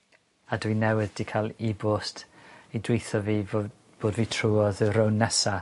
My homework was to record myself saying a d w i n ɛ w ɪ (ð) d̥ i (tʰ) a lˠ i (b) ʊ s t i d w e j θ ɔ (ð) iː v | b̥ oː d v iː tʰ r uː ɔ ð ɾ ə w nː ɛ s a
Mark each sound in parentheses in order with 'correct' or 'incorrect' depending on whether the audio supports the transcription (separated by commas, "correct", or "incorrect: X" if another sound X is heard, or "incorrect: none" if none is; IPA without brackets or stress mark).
correct, incorrect: kʰ, correct, incorrect: v